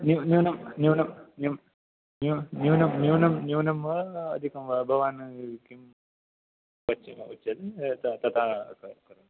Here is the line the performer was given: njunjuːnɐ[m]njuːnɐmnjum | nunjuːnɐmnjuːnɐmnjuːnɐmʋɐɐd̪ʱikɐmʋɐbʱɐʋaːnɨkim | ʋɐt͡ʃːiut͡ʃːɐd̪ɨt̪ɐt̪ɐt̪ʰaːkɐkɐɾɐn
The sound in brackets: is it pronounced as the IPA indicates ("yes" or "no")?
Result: yes